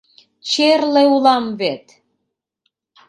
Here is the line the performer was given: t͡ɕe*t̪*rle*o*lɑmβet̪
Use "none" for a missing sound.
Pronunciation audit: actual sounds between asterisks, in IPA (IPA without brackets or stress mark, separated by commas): none, u